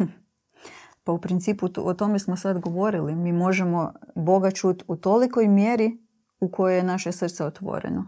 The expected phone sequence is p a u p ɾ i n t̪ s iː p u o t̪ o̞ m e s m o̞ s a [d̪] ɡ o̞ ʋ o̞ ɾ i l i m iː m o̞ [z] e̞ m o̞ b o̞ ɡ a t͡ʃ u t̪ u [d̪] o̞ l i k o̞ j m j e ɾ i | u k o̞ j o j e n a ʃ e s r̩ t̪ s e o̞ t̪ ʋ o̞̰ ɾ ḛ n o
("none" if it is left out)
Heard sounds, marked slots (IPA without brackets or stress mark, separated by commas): d̪, ʒ, t̪